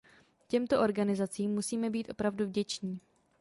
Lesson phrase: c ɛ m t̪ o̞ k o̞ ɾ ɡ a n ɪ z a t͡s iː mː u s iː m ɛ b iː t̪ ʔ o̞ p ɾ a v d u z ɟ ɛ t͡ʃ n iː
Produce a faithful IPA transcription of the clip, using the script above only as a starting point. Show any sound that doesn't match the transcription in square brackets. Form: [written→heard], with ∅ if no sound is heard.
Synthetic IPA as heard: c ɛ m t̪ o̞ [k→ʔ] o̞ ɾ ɡ a n ɪ z a t͡s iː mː u s iː m ɛ b iː t̪ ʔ o̞ p ɾ a v d u [z→v] ɟ ɛ t͡ʃ [n→ɲ] iː